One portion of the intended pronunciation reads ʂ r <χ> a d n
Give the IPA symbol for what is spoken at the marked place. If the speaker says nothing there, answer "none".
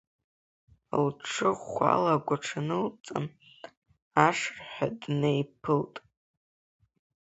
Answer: ħ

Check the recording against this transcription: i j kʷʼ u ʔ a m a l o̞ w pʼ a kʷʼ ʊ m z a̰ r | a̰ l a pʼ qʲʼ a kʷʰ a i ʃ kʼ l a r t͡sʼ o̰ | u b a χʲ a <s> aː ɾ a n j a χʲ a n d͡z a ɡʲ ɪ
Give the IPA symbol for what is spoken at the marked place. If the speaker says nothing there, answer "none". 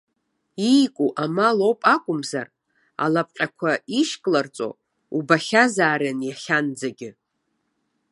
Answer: z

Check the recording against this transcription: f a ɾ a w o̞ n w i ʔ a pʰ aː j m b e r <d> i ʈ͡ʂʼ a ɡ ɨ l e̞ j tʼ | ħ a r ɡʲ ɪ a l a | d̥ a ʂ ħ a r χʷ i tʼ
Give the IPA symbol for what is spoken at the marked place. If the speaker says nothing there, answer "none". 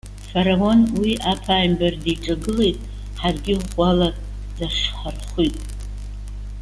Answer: d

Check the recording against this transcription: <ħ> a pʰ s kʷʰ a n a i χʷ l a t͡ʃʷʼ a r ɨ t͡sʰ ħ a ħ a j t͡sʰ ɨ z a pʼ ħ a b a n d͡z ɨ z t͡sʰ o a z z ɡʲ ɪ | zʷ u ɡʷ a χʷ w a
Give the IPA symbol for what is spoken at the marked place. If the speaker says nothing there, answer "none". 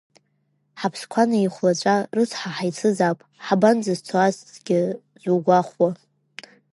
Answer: ħ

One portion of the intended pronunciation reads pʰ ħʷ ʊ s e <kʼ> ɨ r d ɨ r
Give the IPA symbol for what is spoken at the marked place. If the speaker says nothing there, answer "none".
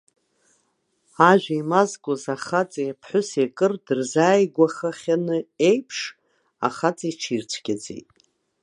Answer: kʼ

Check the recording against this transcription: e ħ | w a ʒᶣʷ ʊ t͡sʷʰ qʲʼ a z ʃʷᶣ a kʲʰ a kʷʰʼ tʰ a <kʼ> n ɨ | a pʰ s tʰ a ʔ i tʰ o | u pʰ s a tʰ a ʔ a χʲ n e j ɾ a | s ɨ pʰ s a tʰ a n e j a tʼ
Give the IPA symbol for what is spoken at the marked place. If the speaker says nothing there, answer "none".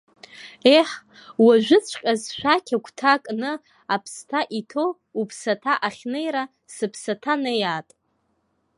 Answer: kʼ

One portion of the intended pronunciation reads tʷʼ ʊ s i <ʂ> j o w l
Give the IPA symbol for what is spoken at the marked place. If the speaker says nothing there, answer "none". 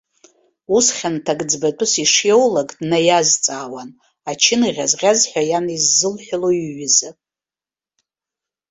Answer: ʂ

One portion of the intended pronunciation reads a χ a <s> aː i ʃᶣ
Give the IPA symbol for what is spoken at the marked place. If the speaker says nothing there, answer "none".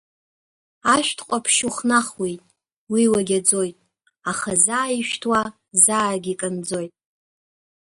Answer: z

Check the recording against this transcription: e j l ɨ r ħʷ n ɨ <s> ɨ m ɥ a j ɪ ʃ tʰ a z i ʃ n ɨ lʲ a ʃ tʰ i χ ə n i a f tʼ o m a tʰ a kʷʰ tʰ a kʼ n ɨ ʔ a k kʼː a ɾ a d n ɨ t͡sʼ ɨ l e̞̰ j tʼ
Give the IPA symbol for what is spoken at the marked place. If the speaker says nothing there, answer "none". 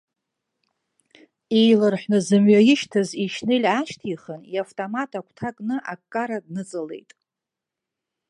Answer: z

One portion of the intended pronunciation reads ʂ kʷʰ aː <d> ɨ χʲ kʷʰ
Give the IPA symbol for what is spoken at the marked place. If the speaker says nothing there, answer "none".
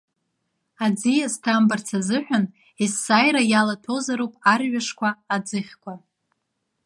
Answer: d͡z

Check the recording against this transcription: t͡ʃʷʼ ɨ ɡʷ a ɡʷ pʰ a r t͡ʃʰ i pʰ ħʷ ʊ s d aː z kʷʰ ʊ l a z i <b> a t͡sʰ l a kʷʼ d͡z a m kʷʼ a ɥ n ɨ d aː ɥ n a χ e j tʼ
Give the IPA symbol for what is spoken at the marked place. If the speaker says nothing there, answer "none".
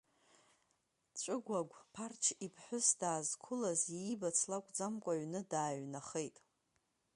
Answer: b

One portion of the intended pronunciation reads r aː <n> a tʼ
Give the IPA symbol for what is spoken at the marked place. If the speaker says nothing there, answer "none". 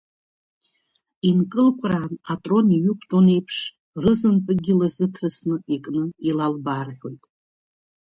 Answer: n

